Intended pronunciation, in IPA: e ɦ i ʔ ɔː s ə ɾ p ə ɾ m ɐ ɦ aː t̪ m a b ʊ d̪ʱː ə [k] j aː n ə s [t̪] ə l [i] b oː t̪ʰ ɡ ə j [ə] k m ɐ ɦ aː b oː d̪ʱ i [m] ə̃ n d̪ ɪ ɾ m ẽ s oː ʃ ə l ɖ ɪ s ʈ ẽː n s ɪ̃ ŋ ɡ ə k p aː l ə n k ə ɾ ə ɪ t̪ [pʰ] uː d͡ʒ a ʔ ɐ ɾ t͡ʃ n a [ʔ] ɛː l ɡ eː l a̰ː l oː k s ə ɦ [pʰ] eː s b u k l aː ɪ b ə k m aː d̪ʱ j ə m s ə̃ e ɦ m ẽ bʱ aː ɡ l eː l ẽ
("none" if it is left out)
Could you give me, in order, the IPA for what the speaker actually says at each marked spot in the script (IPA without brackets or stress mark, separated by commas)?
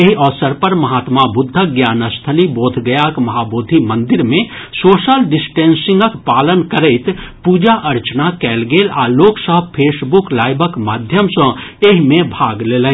ɡ, t̪ʰ, i, a, m, p, k, pʰ